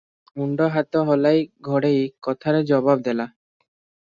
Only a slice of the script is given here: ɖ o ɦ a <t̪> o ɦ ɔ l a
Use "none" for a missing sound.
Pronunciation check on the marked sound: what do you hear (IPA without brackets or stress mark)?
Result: t̪